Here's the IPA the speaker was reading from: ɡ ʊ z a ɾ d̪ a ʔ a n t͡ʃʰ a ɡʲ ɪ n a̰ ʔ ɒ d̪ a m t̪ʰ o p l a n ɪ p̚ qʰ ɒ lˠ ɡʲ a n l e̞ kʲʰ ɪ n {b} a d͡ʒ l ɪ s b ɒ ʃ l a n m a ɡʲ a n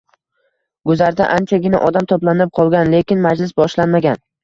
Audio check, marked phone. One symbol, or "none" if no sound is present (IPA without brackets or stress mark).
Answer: m